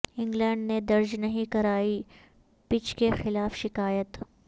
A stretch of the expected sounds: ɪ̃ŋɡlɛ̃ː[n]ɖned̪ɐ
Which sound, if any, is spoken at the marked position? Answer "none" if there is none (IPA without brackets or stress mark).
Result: ɳ